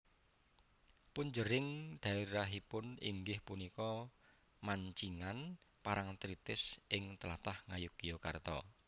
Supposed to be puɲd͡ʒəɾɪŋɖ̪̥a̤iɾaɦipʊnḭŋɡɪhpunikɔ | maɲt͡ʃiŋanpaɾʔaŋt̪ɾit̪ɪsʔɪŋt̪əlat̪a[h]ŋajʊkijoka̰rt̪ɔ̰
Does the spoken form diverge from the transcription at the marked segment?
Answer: no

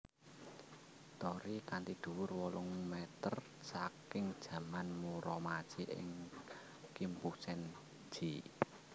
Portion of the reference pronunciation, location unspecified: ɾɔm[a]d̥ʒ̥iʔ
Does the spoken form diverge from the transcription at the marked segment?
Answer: no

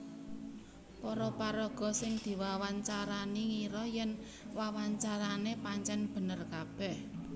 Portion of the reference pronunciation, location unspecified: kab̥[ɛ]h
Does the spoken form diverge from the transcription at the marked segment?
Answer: no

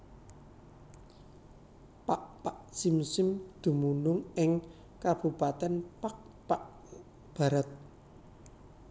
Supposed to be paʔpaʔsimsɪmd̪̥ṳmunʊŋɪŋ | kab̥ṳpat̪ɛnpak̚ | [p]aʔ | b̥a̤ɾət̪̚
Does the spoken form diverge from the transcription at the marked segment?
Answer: no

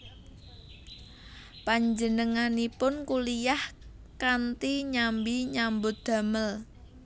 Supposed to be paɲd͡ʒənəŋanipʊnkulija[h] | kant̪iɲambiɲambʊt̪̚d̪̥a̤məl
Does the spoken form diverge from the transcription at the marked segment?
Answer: no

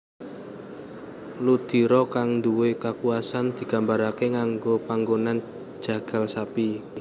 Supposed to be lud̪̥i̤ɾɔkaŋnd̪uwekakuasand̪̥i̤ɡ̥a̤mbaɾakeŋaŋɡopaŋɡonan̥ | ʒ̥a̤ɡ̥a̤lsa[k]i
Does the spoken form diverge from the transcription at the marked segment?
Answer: yes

